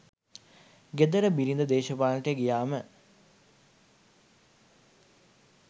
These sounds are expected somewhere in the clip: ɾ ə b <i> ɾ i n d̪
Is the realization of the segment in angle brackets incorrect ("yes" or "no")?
no